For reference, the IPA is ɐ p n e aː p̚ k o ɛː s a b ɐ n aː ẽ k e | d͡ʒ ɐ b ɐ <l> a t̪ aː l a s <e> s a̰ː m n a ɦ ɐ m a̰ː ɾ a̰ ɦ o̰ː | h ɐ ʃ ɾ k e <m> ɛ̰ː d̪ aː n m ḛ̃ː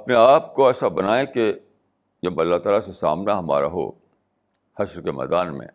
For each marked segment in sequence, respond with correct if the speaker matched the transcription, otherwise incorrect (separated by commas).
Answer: incorrect, correct, correct